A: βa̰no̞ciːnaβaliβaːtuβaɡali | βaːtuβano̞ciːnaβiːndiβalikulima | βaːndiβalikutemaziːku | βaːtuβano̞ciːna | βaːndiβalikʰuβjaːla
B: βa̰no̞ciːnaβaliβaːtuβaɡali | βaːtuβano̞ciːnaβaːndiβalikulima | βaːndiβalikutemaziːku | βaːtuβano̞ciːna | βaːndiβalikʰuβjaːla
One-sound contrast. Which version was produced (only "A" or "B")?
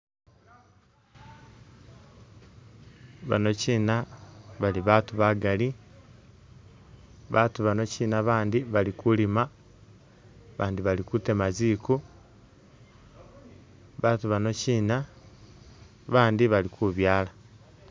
B